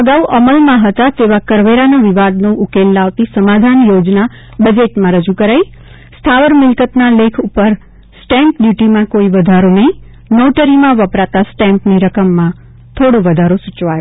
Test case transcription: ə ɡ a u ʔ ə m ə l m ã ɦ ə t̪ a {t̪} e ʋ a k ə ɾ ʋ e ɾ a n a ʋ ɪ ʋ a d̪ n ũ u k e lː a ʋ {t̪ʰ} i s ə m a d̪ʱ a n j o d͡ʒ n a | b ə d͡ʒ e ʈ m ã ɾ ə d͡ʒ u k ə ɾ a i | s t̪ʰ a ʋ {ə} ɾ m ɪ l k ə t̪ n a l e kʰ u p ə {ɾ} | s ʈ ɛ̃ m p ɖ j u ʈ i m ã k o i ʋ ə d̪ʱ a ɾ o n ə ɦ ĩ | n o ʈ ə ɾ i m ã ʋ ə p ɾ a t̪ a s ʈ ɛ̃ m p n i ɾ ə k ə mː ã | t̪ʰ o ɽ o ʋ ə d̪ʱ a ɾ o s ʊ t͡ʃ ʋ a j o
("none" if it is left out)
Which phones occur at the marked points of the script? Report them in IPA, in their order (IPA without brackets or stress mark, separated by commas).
t̪, t̪, ə, ɾ